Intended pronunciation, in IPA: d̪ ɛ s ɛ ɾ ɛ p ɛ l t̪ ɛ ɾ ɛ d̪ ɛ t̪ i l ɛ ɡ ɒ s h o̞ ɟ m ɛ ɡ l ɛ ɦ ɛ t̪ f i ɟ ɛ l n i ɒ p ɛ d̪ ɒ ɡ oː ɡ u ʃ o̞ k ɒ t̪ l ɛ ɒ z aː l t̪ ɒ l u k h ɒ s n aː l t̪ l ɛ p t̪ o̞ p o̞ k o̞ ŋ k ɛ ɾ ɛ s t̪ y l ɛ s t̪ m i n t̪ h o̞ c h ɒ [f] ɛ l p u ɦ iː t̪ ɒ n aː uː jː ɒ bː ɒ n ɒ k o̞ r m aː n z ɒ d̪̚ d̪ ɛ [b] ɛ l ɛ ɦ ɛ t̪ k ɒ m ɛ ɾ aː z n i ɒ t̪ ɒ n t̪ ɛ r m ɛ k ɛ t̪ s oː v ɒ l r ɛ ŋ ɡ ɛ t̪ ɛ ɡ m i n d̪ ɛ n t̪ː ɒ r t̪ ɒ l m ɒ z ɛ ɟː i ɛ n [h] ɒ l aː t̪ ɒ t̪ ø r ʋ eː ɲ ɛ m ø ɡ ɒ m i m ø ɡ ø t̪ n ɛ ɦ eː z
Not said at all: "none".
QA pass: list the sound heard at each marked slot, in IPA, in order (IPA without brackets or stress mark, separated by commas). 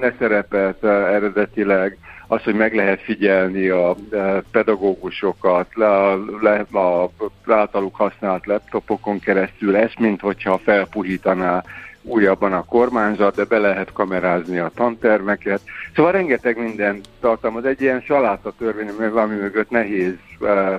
f, b, ʃ